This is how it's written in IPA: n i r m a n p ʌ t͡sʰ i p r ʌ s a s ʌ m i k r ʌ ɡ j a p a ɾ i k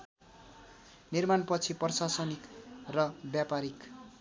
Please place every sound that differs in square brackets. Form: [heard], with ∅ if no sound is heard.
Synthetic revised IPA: n i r m a n p ʌ t͡sʰ i p r ʌ s a s ʌ [n] i k r ʌ [b] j a p a ɾ i k